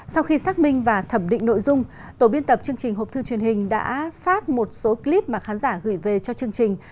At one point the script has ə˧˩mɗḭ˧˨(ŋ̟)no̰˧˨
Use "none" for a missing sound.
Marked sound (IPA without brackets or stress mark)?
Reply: ŋ̟